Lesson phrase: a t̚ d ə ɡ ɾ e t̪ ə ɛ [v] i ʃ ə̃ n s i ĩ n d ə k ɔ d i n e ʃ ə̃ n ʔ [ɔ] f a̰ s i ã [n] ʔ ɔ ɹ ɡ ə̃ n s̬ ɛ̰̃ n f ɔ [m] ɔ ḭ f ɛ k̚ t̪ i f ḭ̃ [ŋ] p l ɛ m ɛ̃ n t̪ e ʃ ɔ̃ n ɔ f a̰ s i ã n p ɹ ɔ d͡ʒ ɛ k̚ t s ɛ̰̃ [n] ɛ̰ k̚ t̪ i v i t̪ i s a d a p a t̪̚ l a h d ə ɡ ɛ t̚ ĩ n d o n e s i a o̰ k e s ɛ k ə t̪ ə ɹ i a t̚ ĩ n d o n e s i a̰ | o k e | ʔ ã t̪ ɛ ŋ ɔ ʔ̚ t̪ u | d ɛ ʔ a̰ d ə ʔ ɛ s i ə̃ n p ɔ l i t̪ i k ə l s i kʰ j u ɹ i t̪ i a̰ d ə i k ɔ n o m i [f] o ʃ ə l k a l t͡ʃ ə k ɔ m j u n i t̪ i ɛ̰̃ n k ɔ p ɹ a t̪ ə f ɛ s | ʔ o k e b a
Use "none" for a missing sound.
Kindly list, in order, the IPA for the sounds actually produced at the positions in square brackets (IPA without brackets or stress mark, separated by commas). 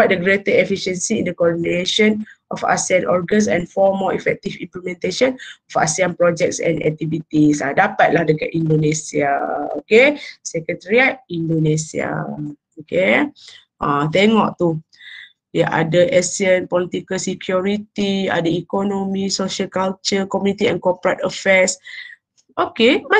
f, ɔ, n, m, m, n, s